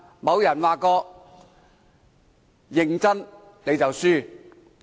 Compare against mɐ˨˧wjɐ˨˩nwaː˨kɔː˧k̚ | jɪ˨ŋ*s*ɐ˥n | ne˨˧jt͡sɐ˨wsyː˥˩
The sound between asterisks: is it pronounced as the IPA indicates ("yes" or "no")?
no